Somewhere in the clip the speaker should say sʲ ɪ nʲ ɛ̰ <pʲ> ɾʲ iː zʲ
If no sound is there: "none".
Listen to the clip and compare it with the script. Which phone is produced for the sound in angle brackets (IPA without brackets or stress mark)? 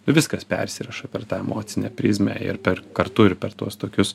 pʲ